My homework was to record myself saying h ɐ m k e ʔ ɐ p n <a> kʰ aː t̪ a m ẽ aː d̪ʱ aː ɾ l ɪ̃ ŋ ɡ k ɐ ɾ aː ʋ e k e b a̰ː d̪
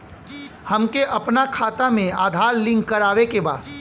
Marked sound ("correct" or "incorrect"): correct